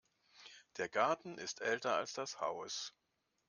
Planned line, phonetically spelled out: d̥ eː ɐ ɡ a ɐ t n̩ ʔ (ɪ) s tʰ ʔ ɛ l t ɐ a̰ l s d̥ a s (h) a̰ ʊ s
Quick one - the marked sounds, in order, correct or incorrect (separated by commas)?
correct, correct